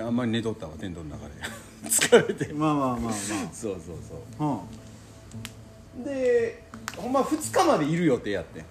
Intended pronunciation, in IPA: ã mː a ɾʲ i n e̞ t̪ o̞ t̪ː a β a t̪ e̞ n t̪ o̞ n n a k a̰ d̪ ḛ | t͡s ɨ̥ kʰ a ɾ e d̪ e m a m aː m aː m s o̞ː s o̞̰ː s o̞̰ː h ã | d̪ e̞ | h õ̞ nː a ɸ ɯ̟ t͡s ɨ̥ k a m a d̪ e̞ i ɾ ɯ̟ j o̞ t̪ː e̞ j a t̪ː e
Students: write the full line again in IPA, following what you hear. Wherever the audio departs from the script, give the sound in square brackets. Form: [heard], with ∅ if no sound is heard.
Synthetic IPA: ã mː a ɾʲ i n e̞ t̪ o̞ t̪ː a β a t̪ e̞ n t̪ o̞ n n a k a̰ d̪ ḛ | t͡s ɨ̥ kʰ a ɾ e [t̪] e m a m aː m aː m s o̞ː s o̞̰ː s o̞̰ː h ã | d̪ e̞ | h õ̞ [mː] a ɸ ɯ̟ t͡s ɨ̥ k a m a d̪ e̞ i ɾ ɯ̟ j o̞ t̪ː e̞ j a t̪ː e